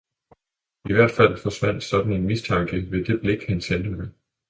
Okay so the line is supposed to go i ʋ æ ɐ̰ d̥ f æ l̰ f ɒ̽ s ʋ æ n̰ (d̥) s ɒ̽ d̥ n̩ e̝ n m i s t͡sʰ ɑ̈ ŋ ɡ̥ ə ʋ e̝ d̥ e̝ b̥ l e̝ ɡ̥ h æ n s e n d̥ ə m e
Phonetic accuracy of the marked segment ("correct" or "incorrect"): correct